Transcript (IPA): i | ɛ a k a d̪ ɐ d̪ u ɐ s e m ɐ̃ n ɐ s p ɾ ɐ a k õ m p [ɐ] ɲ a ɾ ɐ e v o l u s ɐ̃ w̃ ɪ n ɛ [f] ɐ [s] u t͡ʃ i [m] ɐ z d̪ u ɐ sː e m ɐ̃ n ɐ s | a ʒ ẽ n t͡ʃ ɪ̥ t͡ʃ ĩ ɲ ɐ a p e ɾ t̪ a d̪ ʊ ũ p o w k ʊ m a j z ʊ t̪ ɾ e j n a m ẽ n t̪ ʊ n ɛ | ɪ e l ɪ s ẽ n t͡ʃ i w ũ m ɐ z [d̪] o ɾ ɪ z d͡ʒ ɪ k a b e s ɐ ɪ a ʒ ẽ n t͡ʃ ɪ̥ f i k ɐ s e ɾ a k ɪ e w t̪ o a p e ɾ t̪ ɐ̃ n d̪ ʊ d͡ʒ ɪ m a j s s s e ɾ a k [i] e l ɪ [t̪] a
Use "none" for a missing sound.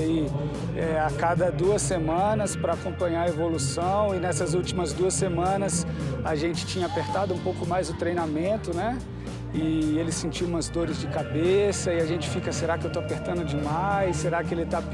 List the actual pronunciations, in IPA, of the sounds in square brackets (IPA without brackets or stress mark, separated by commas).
ɐ̃, s, z, m, d̪, ɪ, t̪